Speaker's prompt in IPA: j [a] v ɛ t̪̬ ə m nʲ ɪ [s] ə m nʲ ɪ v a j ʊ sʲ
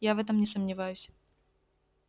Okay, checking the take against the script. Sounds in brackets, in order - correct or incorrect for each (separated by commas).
correct, correct